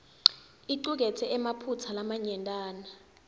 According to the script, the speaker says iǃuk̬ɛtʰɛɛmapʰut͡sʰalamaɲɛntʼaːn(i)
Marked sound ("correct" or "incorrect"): incorrect